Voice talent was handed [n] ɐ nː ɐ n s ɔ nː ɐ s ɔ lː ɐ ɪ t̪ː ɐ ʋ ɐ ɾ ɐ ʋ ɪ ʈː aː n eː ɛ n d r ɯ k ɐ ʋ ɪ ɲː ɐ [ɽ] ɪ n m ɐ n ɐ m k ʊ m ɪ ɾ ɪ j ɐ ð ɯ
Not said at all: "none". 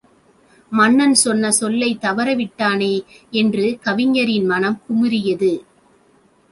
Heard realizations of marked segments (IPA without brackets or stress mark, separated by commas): m, ɾ